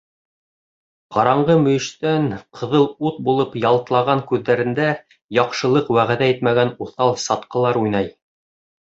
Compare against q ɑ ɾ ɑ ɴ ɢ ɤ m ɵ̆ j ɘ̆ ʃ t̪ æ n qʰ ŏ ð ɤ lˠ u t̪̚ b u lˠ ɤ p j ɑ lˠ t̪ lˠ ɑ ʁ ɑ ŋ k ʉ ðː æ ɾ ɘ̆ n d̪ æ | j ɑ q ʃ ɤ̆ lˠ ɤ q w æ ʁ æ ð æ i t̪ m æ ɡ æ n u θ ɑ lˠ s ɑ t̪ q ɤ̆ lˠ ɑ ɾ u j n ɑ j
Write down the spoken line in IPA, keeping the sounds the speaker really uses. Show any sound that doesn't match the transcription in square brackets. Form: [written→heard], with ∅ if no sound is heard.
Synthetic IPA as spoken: q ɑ ɾ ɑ ɴ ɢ ɤ m ɵ̆ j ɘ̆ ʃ t̪ æ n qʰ [ŏ→ɤ̆] ð ɤ lˠ u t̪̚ b u lˠ ɤ p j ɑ lˠ t̪ lˠ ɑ ʁ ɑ ŋ k ʉ ðː æ ɾ ɘ̆ n d̪ æ | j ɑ q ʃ ɤ̆ lˠ ɤ q w æ ʁ æ ð æ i t̪ m æ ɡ æ n u θ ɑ lˠ s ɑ t̪ q ɤ̆ lˠ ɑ ɾ u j n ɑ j

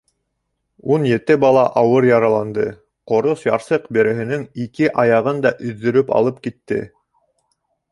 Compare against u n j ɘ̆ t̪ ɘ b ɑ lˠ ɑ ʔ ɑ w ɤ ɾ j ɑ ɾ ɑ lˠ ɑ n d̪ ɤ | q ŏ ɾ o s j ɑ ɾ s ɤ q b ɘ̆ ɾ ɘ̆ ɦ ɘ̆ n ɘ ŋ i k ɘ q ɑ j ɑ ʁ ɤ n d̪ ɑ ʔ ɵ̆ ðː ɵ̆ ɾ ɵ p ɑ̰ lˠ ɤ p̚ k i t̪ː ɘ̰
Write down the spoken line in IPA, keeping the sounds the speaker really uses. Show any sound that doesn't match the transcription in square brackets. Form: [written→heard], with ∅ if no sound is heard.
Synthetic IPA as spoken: u n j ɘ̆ t̪ ɘ b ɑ lˠ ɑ ʔ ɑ w ɤ ɾ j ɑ ɾ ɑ lˠ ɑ n d̪ ɤ | q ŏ ɾ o s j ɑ ɾ s ɤ q b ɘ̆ ɾ ɘ̆ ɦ ɘ̆ n ɘ ŋ i k ɘ [q→ʔ] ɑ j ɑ ʁ ɤ n d̪ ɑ ʔ ɵ̆ ðː ɵ̆ ɾ ɵ p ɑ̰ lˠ ɤ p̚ k i t̪ː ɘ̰

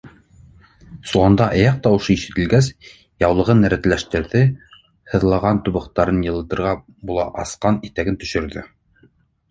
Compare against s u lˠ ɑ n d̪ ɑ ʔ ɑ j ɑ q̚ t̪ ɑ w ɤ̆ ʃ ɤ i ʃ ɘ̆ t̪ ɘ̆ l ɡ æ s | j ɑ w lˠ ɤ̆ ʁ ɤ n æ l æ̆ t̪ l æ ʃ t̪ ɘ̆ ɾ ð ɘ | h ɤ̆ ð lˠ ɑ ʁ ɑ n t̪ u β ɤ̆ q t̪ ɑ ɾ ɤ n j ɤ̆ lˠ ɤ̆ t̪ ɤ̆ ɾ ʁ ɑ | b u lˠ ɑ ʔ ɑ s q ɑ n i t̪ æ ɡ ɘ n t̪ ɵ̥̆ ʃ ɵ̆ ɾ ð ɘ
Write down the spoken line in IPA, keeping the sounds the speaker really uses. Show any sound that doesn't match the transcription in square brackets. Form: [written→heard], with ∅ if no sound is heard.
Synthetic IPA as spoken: s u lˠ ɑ n d̪ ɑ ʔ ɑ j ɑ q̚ t̪ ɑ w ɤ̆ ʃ ɤ i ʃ ɘ̆ t̪ ɘ̆ l ɡ æ s | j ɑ w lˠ ɤ̆ ʁ ɤ n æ [l→ɾ] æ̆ t̪ l æ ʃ t̪ ɘ̆ ɾ ð ɘ | h ɤ̆ ð lˠ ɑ ʁ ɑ n t̪ u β ɤ̆ q t̪ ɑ ɾ ɤ n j ɤ̆ lˠ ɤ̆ t̪ ɤ̆ ɾ ʁ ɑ | b u lˠ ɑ ʔ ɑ s q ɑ n i t̪ æ ɡ ɘ n t̪ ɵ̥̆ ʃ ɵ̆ ɾ ð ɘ

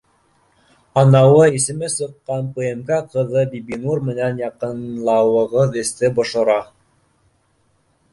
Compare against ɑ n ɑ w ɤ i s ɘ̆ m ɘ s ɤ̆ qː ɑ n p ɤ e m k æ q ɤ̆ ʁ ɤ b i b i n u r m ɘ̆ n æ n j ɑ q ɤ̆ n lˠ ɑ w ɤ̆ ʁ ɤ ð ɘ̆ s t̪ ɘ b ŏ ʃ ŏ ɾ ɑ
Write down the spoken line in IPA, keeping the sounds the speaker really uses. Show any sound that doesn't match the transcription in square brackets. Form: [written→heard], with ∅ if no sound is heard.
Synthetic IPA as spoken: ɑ n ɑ w ɤ i s ɘ̆ m ɘ s ɤ̆ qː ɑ n p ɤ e m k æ q ɤ̆ [ʁ→ð] ɤ b i b i n u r m ɘ̆ n æ n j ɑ q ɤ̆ n lˠ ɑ w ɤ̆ ʁ ɤ ð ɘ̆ s t̪ ɘ b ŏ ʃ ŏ ɾ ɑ

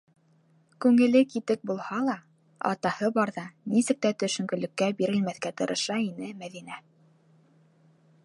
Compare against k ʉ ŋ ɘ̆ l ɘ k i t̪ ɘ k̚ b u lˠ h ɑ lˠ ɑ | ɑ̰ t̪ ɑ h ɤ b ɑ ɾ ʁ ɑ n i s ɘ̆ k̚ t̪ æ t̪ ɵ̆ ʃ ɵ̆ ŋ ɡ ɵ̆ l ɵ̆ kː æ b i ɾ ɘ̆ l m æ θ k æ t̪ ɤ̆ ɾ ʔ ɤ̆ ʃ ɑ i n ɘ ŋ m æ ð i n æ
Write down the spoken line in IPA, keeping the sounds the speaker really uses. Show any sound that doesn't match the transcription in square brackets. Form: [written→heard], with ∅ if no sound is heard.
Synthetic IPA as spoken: k ʉ ŋ ɘ̆ l ɘ k i t̪ ɘ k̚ b u lˠ h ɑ lˠ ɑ | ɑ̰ t̪ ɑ h ɤ b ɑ ɾ [ʁ→ð] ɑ n i s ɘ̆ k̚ t̪ æ t̪ ɵ̆ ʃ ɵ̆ ŋ ɡ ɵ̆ l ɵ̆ kː æ b i ɾ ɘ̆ l m æ θ k æ t̪ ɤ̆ ɾ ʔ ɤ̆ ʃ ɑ i n ɘ [ŋ→∅] m æ ð i n æ

